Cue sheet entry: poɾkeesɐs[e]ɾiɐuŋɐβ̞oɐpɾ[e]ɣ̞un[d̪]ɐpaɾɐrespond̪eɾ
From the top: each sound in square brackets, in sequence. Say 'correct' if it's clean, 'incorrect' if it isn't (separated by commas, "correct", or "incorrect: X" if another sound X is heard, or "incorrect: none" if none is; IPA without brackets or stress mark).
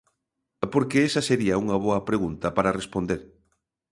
correct, correct, incorrect: t̪